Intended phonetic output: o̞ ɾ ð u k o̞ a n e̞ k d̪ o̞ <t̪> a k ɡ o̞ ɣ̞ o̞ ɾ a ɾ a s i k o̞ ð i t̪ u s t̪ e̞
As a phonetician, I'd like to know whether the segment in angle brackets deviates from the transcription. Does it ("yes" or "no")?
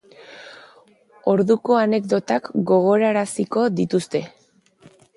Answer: no